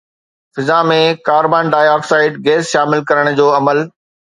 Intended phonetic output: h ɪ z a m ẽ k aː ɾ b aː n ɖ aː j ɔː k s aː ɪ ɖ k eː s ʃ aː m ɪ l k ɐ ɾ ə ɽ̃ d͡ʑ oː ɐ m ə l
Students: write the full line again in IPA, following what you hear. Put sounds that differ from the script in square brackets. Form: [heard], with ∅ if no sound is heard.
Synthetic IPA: [f] ɪ z a m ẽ k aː ɾ b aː n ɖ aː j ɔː k s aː ɪ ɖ [ɡ] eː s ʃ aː m ɪ l k ɐ ɾ ə ɽ̃ d͡ʑ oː ɐ m ə l